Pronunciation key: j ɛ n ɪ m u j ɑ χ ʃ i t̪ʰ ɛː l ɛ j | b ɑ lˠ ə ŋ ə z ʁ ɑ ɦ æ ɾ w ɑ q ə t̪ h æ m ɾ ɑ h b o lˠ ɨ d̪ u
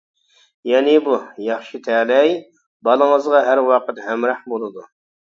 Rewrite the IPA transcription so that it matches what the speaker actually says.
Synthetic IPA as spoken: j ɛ n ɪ b u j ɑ χ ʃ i t̪ʰ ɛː l ɛ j | b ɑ lˠ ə ŋ ə z ʁ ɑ ɦ æ ɾ w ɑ q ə t̪ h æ m ɾ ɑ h b o lˠ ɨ d̪ u